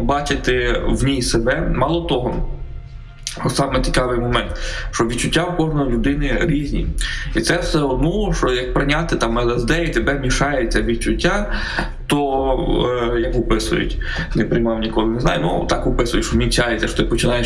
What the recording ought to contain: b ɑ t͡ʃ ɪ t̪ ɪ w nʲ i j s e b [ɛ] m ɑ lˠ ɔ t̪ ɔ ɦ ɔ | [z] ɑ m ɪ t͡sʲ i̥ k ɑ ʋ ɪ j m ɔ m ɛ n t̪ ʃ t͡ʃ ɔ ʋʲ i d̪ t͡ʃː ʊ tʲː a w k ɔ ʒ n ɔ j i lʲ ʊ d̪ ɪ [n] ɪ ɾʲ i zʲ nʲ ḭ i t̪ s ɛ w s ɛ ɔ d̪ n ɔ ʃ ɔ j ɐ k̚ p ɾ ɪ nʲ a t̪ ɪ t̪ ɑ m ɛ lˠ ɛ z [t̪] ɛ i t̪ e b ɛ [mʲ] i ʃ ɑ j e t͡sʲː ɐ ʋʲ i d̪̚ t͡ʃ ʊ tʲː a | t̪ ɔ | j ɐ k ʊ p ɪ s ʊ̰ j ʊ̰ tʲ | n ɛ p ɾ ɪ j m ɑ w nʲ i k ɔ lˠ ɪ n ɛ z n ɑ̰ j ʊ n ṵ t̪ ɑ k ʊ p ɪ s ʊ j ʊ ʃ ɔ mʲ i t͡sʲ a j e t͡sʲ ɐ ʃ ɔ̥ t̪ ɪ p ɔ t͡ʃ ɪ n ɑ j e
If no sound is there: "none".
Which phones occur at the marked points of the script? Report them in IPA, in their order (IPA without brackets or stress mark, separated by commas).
ɛ, s, n, d̪, mʲ